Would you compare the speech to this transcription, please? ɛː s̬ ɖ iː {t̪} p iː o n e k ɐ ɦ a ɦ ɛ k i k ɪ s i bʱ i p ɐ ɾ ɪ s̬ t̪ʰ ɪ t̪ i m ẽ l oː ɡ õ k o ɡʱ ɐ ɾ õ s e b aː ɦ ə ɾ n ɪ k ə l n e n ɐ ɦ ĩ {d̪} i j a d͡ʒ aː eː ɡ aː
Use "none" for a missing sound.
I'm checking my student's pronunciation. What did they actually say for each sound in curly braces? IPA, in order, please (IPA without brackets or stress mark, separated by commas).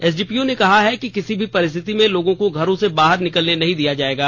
none, d̪